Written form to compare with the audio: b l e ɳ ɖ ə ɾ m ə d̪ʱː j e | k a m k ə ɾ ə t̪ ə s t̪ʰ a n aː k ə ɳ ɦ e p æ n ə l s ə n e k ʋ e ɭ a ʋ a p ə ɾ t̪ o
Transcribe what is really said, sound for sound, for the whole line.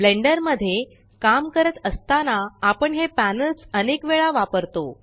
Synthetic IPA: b l e ɳ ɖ ə ɾ m ə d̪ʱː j e | k a m k ə ɾ ə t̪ ə s t̪ a n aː p ə ɳ ɦ e p æ n ə l s ə n e k ʋ e ɭ a ʋ a p ə ɾ t̪ o